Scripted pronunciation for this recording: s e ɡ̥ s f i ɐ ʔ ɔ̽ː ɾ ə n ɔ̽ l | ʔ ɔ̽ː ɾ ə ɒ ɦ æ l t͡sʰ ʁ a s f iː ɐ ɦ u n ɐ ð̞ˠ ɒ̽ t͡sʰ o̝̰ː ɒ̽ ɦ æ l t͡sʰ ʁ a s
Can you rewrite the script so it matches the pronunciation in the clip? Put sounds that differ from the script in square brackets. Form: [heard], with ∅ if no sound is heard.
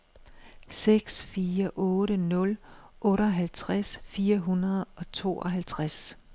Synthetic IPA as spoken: s e ɡ̥ s f [iː] ɐ ʔ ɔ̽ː ɾ ə n ɔ̽ l | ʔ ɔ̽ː ɾ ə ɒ ɦ æ l t͡sʰ ʁ a s f iː ɐ ɦ u n ɐ ð̞ˠ ɒ̽ t͡sʰ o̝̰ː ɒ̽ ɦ æ l t͡sʰ ʁ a s